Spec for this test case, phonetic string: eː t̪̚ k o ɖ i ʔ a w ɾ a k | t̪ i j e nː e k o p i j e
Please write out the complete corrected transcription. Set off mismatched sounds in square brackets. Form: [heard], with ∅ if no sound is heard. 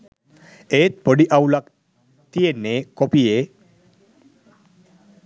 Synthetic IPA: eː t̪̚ [p] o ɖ i ʔ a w [l] a k | t̪ i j e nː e k o p i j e